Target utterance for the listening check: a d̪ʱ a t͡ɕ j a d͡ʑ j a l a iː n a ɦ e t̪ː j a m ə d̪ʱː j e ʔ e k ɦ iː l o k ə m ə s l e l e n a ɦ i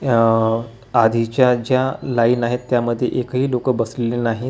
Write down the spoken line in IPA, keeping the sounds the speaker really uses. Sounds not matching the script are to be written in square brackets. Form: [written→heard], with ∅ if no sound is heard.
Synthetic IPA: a d̪ʱ [a→i] t͡ɕ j a d͡ʑ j a l a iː n a ɦ e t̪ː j a m ə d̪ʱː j e ʔ e k ɦ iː l o k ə [m→b] ə s l e l e n a ɦ i